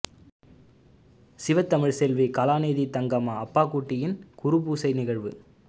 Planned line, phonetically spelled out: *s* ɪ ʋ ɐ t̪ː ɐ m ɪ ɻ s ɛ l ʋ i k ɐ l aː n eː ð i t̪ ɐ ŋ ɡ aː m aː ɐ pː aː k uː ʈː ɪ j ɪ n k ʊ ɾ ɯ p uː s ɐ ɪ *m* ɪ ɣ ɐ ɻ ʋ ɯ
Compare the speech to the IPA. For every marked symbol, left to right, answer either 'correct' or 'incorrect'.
correct, incorrect: n

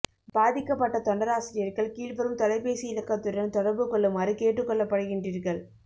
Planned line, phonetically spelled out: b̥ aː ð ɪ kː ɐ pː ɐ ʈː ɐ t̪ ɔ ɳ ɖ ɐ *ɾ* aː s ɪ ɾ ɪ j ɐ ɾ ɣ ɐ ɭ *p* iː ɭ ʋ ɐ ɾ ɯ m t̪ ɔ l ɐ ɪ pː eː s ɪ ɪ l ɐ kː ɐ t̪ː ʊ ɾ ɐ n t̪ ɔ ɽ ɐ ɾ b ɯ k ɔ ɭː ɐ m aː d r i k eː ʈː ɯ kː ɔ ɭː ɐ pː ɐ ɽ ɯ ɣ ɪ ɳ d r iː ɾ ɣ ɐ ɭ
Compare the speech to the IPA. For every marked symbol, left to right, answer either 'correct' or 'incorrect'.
correct, incorrect: k

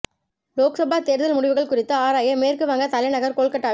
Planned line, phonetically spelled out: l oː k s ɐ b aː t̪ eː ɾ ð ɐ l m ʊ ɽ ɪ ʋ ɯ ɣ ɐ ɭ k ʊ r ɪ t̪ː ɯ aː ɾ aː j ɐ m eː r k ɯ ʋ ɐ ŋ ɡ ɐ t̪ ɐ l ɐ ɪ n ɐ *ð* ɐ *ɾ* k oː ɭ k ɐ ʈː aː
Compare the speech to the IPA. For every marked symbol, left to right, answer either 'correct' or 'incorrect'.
incorrect: ɣ, correct

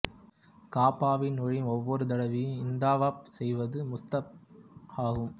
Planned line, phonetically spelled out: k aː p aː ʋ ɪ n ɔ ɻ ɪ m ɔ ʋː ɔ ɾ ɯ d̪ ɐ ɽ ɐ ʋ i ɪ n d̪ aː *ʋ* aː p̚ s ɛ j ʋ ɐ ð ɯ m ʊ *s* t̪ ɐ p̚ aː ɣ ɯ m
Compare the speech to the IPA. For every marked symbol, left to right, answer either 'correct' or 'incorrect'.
correct, correct

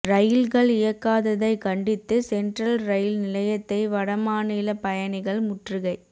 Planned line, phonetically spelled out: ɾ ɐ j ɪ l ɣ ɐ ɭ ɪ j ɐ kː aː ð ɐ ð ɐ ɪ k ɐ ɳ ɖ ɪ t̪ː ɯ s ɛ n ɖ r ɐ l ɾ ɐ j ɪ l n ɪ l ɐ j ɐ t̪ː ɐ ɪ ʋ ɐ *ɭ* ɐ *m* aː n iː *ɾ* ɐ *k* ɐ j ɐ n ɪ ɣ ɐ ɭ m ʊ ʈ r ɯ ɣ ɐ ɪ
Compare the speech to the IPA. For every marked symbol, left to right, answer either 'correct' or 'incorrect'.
incorrect: ɽ, correct, incorrect: l, incorrect: p

